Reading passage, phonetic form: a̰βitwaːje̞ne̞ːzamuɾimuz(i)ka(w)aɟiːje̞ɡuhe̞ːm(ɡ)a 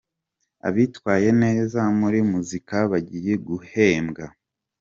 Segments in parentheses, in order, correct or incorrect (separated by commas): correct, incorrect, correct